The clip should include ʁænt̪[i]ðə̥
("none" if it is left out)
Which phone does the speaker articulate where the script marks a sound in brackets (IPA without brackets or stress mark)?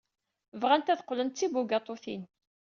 æ